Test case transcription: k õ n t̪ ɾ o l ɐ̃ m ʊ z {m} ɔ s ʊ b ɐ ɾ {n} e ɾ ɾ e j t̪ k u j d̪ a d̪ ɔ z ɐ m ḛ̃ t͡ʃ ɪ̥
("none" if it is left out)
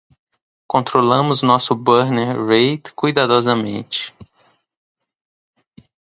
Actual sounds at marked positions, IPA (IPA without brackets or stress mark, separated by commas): n, n